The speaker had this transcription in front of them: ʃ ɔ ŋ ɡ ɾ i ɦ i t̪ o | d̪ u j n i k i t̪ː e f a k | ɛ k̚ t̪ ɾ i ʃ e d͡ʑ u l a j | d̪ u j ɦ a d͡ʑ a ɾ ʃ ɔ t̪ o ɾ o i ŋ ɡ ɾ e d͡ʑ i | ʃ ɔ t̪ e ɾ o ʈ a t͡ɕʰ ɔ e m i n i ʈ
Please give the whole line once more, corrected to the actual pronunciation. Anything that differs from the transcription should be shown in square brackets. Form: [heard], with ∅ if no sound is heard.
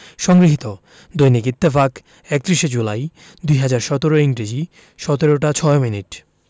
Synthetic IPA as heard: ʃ ɔ ŋ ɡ ɾ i ɦ i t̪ o | d̪ [o] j n i k i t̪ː e f a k | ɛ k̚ t̪ ɾ i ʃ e d͡ʑ u l a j | d̪ u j ɦ a d͡ʑ a ɾ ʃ ɔ t̪ o ɾ o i ŋ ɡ ɾ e d͡ʑ i | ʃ ɔ t̪ e ɾ o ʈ a t͡ɕʰ ɔ e m i n i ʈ